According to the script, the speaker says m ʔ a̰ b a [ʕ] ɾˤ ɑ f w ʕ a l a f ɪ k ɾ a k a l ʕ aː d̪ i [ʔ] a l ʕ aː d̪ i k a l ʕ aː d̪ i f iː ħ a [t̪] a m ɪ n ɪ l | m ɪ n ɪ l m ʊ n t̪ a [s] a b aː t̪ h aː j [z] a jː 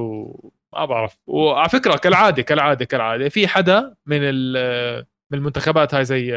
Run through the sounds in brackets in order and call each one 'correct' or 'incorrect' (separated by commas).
correct, incorrect, incorrect, incorrect, correct